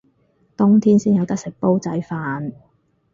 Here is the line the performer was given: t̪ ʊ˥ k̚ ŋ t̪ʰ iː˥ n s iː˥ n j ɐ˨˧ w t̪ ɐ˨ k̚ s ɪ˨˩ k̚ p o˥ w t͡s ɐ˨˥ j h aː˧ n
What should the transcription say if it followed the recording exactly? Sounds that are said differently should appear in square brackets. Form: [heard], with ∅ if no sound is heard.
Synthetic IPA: t̪ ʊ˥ [∅] ŋ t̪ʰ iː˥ n s iː˥ n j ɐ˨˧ w t̪ [ɐ˥] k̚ s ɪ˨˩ k̚ p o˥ w t͡s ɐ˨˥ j [f] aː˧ n